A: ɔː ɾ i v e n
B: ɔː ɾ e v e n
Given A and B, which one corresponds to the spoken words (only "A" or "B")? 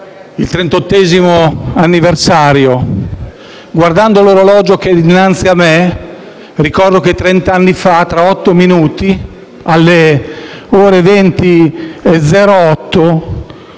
B